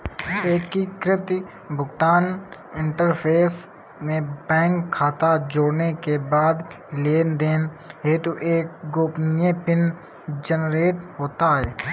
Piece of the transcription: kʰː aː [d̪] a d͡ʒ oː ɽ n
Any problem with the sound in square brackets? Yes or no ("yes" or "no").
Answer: yes